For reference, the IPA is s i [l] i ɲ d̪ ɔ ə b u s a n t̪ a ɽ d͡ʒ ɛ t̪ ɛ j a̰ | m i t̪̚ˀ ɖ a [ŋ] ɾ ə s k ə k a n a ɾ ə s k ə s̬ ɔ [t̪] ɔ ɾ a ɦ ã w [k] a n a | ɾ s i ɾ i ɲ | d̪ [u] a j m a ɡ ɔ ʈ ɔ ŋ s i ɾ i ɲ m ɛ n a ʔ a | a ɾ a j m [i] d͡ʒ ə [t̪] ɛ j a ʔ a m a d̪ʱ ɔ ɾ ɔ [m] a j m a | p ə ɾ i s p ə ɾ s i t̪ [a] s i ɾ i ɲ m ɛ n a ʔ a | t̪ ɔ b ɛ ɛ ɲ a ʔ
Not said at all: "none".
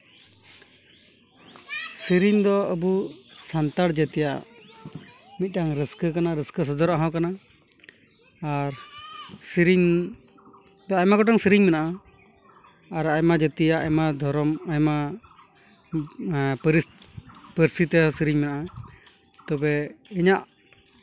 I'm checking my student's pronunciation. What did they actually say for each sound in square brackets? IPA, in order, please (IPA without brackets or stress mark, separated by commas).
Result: ɾ, ŋ, d̪, k, ɔ, a, t̪, m, ɛ